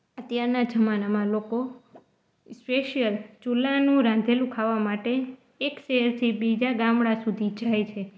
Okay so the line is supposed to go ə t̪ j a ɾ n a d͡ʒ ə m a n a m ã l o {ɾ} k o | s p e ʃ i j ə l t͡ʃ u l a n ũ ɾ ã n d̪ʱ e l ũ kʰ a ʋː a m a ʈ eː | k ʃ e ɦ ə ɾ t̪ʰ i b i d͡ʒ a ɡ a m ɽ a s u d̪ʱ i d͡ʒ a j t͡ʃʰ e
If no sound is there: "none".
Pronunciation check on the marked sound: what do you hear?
none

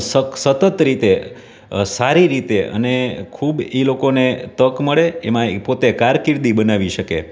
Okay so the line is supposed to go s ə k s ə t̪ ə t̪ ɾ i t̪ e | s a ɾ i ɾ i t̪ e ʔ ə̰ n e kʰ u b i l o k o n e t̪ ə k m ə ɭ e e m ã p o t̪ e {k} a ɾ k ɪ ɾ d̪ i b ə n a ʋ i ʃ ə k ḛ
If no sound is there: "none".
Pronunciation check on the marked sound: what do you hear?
k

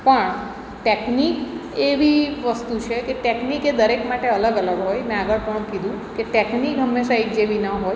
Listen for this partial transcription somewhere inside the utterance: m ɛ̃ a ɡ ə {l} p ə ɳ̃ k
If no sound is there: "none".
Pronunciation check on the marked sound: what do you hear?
ɭ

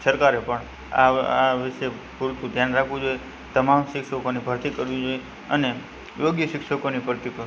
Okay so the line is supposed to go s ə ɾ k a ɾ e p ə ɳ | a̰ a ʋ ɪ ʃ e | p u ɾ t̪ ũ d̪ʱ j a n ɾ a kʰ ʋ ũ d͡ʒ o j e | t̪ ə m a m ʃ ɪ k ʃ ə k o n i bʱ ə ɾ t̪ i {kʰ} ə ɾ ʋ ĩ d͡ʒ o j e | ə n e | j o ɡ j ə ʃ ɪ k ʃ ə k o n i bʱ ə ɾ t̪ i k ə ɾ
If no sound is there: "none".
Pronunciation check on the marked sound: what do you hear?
k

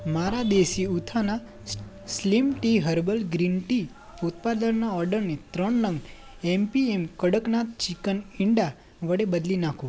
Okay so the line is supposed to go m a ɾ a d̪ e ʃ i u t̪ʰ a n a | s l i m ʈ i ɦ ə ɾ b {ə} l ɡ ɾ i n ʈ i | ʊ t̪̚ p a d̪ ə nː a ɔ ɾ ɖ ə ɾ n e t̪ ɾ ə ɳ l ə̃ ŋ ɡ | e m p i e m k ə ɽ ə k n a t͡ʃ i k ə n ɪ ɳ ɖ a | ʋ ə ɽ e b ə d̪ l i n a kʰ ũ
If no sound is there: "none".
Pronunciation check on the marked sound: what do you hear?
ə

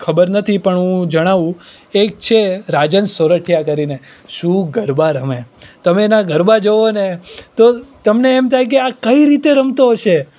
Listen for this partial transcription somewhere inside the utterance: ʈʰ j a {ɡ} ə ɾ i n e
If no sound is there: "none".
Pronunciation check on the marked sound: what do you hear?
k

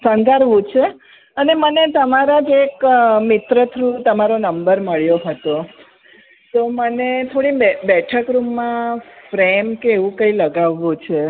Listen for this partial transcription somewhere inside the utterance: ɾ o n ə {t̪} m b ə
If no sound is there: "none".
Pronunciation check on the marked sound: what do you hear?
none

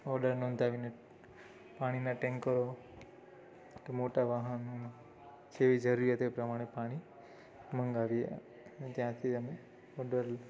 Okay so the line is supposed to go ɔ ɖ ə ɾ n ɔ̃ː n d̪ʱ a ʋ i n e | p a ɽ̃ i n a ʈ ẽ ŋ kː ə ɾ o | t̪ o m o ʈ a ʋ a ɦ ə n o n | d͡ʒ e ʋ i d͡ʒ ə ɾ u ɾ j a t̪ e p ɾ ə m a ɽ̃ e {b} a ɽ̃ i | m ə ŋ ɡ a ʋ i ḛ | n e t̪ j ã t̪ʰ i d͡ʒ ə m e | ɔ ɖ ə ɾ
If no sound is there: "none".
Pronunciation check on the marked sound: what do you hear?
p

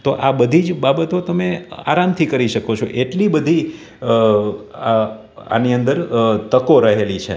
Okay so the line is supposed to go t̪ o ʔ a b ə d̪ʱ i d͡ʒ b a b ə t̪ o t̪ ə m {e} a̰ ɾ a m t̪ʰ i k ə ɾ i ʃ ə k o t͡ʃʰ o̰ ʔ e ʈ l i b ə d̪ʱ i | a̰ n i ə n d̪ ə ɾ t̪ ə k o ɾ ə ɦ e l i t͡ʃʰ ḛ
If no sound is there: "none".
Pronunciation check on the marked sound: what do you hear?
e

